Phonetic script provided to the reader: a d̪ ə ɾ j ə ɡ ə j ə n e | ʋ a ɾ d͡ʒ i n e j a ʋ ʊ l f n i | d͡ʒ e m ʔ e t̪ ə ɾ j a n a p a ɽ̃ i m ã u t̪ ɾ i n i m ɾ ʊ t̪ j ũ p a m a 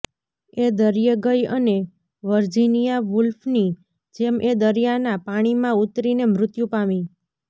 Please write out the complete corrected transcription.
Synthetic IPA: e d̪ ə ɾ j ə ɡ ə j ə n e | ʋ ə ɾ d͡ʒ i n i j a ʋ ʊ l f n i | d͡ʒ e m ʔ e d̪ ə ɾ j a n a p a ɽ̃ i m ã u t̪ ɾ i n e m ɾ ʊ t̪ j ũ p a m i